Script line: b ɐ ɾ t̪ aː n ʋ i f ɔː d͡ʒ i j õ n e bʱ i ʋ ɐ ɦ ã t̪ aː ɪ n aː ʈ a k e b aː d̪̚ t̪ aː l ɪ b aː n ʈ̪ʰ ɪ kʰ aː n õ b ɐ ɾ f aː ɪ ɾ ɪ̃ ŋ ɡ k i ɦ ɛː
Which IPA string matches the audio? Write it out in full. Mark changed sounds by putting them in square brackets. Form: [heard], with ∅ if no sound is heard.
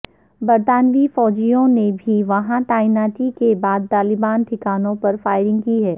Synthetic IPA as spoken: b ɐ ɾ t̪ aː n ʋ i f ɔː d͡ʒ i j õ n e bʱ i ʋ ɐ ɦ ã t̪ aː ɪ n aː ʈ [i] k e b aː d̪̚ t̪ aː l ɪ b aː n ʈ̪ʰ ɪ [k] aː n õ [p] ɐ ɾ f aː ɪ ɾ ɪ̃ ŋ ɡ k i ɦ ɛː